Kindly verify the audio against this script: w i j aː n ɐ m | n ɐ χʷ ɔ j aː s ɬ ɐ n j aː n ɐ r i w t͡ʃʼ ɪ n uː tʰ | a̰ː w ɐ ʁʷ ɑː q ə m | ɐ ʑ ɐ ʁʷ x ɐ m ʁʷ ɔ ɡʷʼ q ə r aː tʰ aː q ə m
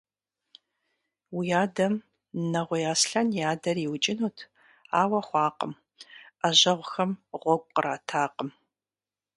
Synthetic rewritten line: w i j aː d ɐ m | n ɐ ʁʷ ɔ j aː s ɬ ɐ n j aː d ɐ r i w t͡ʃʼ ɪ n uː tʰ | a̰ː w ɐ χʷ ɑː q ə m | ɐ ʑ ɐ ʁʷ x ɐ m ʁʷ ɔ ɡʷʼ q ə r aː tʰ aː q ə m